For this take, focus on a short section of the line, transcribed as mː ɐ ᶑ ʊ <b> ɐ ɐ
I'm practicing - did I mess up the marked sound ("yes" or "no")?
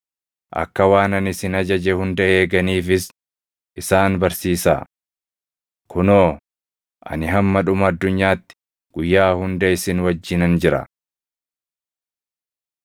yes